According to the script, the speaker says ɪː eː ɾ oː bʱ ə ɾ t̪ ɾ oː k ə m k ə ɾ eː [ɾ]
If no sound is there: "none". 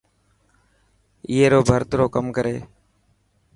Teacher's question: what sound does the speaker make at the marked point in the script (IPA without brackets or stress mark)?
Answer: none